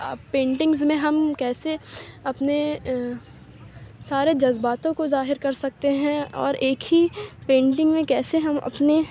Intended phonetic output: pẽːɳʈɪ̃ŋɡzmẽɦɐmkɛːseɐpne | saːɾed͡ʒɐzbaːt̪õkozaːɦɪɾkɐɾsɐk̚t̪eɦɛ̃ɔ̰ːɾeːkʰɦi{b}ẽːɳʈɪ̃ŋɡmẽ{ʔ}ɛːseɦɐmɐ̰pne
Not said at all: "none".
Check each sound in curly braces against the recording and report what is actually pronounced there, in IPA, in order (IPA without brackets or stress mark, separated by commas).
p, k